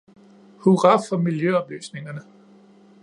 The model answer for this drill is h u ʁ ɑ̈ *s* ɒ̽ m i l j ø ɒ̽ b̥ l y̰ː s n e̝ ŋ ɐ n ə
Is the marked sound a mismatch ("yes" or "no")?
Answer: yes